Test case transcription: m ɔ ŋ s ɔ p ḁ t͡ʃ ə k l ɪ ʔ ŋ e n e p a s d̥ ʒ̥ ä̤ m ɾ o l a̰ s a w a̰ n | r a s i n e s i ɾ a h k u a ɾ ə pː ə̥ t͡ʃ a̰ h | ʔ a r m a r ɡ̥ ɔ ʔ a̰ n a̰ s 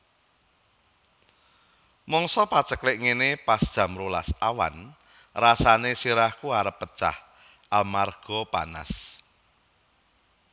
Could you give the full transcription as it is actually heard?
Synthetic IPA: m ɔ ŋ s ɔ p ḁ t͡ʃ ə k l ɪ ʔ ŋ e n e p a s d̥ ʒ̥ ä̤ m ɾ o l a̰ s a w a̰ n | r a s a n e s i ɾ a h k u a ɾ ə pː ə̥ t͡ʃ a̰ h | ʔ a l m a r ɡ̥ ɔ p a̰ n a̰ s